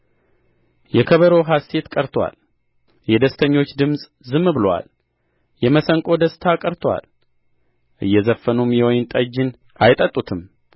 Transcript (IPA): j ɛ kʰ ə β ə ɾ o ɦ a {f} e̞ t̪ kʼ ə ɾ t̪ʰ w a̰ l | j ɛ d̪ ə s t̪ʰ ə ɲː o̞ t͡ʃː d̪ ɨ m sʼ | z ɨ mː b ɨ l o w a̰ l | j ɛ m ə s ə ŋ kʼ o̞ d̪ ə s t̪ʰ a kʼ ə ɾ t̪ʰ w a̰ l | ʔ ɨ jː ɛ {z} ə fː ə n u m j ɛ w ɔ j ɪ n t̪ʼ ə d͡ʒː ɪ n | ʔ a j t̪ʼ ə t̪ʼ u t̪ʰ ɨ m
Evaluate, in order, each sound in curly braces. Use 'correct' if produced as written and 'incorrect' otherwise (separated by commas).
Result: incorrect, correct